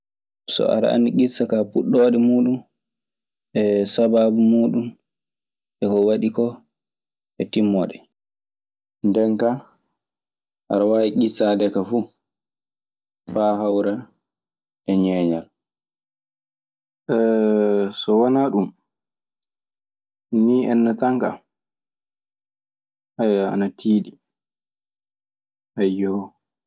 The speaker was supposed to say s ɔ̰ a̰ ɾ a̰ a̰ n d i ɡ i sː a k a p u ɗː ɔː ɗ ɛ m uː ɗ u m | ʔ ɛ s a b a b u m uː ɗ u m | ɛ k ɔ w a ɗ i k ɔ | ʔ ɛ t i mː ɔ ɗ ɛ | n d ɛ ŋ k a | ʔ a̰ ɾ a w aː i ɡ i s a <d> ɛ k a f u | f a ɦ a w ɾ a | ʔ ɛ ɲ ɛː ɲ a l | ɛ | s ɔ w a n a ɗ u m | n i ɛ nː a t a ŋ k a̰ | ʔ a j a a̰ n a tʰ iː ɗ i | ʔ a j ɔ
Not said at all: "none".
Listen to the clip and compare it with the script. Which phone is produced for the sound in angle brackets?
d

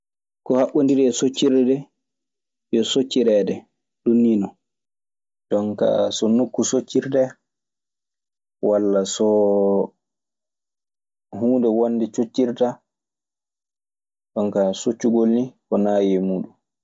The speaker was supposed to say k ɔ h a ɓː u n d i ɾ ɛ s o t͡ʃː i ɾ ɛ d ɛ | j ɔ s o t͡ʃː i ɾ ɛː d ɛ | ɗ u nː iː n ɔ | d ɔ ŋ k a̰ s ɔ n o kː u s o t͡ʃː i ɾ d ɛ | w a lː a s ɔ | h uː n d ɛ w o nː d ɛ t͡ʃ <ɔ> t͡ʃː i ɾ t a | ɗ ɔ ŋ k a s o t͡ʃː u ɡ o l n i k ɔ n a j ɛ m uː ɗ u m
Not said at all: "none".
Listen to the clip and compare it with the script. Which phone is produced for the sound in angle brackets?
o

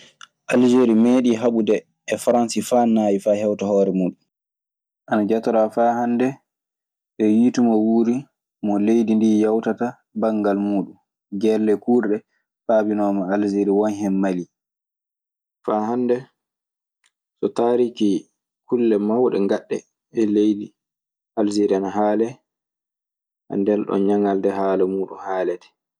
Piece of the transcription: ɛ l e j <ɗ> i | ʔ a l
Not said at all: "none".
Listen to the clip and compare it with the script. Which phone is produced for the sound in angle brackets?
d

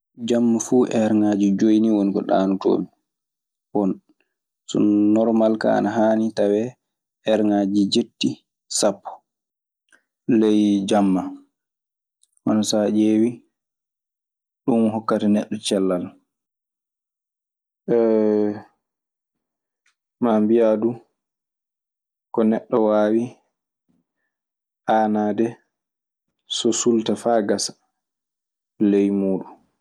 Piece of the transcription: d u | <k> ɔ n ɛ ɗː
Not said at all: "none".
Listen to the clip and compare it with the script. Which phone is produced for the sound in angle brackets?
k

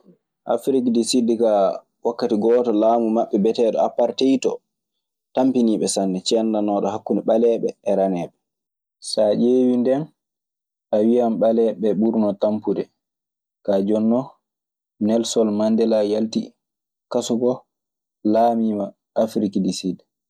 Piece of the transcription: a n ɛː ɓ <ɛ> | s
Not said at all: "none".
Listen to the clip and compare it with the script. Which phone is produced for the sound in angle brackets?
ɛ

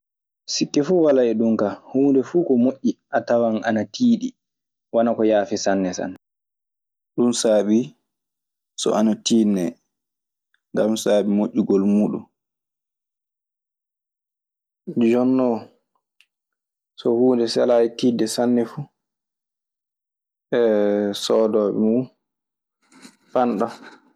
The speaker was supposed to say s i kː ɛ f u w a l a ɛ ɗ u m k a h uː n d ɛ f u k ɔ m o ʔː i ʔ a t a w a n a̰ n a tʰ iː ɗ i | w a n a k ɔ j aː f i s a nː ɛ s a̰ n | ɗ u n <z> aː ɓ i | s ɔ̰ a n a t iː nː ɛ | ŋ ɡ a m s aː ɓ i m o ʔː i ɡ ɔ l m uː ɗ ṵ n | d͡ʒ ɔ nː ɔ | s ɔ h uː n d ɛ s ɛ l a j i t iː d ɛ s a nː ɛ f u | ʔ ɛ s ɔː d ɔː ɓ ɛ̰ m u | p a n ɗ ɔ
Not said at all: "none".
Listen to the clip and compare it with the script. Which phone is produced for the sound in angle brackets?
s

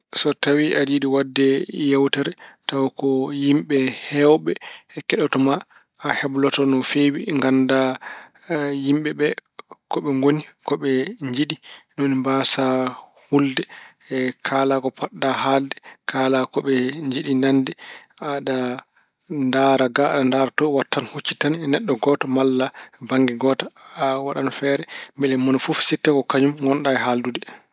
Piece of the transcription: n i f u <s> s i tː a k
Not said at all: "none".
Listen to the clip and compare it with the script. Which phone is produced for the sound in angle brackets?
f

